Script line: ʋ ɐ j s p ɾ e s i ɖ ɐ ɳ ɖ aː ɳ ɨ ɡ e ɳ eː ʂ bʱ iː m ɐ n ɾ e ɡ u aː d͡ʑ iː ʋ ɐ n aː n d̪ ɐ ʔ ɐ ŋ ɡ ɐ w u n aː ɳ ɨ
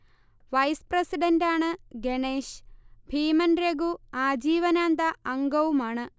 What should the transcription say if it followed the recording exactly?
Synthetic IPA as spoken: ʋ ɐ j s p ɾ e s i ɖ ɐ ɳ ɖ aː ɳ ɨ ɡ e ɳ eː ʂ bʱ iː m ɐ n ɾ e ɡ u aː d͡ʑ iː ʋ ɐ n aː n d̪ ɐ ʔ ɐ ŋ ɡ ɐ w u m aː ɳ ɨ